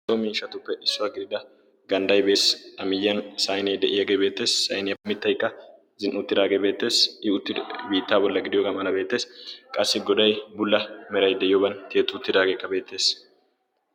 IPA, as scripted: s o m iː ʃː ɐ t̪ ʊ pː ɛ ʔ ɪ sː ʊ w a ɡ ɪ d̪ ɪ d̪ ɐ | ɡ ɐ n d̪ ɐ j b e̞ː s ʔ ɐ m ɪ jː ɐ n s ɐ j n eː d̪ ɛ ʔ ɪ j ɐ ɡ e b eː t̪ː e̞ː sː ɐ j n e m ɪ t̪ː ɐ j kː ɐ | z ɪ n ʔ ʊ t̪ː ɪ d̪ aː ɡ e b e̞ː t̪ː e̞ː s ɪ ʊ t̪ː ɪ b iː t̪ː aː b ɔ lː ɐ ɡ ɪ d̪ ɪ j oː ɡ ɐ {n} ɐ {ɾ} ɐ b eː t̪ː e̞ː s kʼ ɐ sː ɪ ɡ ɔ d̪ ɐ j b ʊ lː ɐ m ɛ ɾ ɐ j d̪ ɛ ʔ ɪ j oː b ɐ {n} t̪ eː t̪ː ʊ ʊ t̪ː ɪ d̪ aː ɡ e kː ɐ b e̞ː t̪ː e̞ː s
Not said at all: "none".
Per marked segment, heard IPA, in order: m, l, n

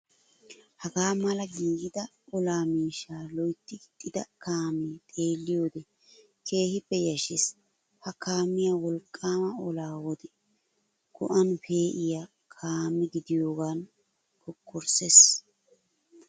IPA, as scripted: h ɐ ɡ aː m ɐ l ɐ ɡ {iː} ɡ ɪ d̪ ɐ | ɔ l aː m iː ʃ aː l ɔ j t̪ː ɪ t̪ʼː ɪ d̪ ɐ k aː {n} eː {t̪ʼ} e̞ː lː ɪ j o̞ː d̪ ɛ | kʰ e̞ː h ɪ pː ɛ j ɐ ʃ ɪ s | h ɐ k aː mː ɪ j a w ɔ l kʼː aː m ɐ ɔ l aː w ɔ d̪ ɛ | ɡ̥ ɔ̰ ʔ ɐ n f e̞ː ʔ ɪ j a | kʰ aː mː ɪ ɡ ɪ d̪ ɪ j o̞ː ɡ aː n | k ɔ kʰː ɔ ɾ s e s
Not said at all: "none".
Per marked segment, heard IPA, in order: iː, m, t̪ʼ

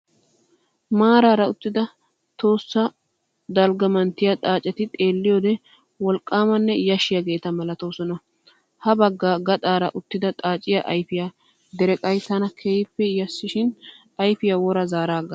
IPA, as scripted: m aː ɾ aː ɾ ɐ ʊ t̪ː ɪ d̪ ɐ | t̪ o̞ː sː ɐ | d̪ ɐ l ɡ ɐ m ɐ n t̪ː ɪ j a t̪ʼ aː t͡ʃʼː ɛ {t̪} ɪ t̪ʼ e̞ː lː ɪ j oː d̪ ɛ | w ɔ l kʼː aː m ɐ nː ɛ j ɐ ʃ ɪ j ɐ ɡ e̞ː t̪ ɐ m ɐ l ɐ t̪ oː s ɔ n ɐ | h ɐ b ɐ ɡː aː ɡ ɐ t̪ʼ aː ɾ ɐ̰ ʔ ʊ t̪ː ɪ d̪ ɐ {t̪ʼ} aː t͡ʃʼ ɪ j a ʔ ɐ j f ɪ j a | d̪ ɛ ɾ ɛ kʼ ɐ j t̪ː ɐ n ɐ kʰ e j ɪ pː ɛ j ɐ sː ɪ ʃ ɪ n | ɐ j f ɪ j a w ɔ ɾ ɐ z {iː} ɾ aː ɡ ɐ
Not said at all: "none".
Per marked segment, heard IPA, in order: t̪, t̪ʼ, aː

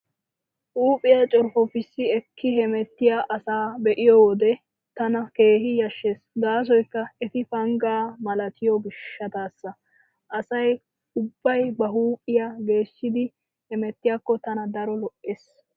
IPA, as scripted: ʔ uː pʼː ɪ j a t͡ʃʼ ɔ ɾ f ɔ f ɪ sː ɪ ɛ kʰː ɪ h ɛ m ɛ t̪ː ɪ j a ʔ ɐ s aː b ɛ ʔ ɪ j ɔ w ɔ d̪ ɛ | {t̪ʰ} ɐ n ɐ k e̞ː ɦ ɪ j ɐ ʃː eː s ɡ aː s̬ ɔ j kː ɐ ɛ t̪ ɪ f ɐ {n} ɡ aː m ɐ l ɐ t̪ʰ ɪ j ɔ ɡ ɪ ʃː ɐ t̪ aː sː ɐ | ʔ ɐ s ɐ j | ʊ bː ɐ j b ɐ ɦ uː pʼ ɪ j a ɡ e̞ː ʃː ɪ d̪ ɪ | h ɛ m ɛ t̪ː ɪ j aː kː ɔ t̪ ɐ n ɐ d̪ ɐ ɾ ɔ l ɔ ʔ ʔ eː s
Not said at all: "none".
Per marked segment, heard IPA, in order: t̪, ŋ

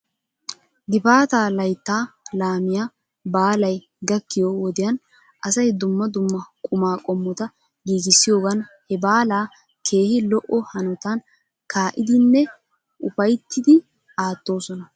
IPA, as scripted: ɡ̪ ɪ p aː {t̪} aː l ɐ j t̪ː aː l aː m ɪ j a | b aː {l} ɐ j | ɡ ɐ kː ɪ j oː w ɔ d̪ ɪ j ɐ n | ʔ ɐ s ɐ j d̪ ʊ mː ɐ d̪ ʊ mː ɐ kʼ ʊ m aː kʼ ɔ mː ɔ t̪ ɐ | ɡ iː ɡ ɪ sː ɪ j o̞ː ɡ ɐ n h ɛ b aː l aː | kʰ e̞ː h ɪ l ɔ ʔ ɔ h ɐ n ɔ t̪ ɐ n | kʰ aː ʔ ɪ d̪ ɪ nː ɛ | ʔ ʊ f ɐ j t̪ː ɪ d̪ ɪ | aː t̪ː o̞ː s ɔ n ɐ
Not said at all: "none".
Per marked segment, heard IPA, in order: t̪, l

